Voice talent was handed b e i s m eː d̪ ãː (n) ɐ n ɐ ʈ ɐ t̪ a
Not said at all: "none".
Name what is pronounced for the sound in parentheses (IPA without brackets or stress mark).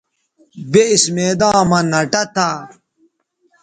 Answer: m